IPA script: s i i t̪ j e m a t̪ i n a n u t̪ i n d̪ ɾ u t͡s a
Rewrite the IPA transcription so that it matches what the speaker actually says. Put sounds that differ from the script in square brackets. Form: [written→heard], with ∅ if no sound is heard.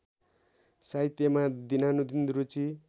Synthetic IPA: s [i→a] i t̪ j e m a [t̪→d̪] i n a n u [t̪→d̪] i n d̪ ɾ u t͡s [a→i]